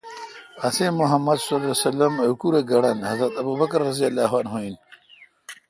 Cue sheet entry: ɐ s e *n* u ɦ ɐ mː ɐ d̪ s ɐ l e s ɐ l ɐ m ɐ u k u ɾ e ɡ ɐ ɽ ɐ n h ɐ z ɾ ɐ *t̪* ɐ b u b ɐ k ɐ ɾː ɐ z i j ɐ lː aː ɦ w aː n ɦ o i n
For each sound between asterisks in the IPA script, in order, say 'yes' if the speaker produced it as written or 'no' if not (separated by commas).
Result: no, yes